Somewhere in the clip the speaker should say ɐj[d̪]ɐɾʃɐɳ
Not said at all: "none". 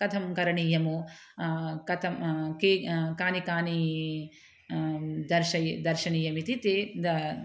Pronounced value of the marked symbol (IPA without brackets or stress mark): d̪